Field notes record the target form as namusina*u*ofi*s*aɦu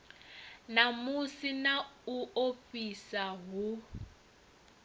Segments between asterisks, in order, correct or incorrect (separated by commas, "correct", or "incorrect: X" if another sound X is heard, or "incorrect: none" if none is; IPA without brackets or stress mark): correct, correct